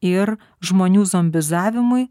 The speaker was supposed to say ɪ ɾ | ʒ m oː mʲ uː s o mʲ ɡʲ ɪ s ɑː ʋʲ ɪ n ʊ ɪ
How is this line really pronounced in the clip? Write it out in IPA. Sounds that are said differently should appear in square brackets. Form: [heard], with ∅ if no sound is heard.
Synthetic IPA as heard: ɪ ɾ | ʒ m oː [nʲ] uː [z] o mʲ [bʲ] ɪ [z] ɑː ʋʲ ɪ [m] ʊ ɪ